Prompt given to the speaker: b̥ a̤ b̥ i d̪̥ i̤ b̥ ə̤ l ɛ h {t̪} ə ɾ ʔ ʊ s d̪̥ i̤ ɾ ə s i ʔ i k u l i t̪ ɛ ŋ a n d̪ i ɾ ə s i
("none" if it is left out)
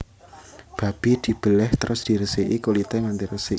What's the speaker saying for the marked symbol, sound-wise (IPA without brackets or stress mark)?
t̪